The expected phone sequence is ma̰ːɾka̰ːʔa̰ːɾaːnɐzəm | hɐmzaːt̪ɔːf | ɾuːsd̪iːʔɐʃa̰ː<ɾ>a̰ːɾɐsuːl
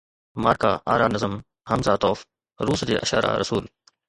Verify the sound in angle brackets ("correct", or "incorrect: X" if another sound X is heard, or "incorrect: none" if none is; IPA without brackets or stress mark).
correct